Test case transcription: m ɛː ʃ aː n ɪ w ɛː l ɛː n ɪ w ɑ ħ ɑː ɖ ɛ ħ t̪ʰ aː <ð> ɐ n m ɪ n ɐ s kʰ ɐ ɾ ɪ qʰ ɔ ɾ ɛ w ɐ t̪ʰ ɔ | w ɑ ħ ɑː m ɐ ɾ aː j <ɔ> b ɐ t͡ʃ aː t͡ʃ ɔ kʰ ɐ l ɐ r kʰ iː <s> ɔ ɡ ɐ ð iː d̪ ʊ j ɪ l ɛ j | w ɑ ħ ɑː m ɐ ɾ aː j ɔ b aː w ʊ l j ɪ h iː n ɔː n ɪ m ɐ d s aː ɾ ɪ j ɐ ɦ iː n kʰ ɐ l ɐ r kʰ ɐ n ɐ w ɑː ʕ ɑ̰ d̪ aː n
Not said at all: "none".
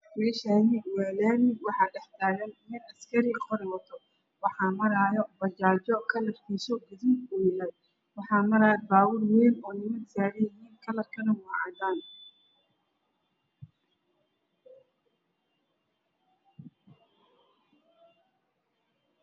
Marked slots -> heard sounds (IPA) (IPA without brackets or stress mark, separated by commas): ɣ, ɔ, s